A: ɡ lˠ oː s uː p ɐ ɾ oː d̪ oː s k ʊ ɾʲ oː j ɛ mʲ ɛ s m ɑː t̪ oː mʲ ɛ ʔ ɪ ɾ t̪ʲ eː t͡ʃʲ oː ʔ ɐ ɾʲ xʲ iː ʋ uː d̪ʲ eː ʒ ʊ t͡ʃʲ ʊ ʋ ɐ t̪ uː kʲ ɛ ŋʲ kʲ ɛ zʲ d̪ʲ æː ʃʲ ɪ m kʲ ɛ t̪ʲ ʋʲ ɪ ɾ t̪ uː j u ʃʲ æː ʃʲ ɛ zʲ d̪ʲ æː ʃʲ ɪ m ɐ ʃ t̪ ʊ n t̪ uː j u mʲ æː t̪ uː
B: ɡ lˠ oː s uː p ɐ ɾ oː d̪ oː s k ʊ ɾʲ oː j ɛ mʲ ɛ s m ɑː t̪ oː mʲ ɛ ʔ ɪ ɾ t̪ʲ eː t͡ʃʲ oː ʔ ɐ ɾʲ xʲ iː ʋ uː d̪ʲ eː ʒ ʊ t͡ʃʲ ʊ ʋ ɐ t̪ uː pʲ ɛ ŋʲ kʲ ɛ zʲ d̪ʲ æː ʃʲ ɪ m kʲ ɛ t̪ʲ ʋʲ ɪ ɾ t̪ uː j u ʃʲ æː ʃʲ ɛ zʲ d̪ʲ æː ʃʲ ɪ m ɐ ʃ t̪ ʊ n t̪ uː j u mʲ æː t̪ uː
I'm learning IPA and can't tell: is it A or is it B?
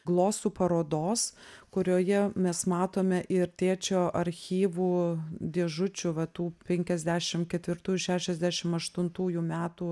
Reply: B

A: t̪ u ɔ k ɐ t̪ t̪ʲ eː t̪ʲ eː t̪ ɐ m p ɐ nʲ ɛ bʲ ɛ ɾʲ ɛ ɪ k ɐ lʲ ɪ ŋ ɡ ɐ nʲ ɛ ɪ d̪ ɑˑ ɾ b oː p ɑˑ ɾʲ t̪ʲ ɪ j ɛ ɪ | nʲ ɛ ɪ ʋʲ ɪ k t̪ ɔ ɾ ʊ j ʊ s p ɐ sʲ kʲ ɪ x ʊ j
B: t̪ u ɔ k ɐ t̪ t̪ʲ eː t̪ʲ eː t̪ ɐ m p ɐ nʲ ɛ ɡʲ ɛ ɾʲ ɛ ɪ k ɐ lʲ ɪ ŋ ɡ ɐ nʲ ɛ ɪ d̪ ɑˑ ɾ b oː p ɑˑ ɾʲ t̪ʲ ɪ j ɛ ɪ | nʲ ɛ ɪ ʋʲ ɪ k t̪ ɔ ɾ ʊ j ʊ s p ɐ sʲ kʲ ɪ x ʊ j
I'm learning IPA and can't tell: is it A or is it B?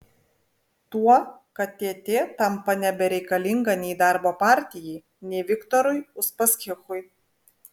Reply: A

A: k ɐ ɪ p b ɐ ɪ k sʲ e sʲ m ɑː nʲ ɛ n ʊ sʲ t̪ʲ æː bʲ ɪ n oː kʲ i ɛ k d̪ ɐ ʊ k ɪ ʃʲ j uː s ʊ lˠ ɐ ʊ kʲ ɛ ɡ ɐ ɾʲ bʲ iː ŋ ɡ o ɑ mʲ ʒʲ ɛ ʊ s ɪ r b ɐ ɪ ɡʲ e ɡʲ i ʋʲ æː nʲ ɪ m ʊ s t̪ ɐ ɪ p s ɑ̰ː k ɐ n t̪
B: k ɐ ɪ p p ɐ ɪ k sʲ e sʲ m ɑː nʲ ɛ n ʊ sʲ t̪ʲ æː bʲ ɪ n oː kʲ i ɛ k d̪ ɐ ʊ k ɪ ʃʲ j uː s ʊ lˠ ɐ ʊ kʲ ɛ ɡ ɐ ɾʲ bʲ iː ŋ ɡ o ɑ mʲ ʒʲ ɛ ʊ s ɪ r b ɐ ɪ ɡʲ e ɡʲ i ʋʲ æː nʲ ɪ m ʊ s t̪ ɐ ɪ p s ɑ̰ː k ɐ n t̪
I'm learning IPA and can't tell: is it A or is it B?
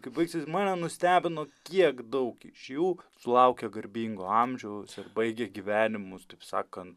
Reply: A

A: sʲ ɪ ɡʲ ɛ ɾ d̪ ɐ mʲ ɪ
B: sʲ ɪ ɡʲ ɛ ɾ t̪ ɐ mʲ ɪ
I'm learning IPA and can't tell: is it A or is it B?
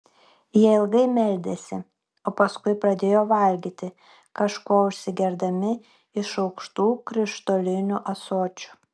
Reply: A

